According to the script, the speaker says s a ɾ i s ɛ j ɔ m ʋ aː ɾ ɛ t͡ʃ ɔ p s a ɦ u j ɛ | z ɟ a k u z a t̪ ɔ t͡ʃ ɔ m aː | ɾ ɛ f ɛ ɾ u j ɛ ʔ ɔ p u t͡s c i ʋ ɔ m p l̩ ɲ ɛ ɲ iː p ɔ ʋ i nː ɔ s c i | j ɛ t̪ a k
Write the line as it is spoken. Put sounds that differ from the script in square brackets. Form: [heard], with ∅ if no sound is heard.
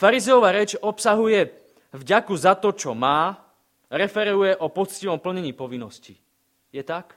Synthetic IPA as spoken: [f] a ɾ i [z] ɛ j ɔ [∅] ʋ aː ɾ ɛ t͡ʃ ɔ p s a ɦ u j ɛ | [v] ɟ a k u z a t̪ ɔ t͡ʃ ɔ m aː | ɾ ɛ f ɛ ɾ u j ɛ ʔ ɔ p [ɔ] t͡s c i ʋ ɔ m p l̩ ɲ ɛ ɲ iː p ɔ ʋ i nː ɔ s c i | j ɛ t̪ a k